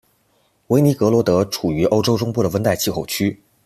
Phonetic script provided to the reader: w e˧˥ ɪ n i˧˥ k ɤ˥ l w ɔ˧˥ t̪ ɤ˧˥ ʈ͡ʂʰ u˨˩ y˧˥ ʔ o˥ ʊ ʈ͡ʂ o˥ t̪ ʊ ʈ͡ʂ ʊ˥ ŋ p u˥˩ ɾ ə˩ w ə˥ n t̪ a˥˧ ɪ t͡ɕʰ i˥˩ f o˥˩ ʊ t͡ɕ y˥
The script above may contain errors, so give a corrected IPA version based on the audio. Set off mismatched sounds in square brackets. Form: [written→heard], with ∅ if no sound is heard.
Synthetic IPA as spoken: w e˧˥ ɪ n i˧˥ k [ɤ˥→ɤ˧˥] l w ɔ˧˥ t̪ ɤ˧˥ ʈ͡ʂʰ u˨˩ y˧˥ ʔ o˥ ʊ ʈ͡ʂ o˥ [t̪→∅] ʊ ʈ͡ʂ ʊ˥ ŋ p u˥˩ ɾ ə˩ w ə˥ n t̪ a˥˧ ɪ t͡ɕʰ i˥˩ [f→x] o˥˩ ʊ [t͡ɕ→t͡ɕʰ] y˥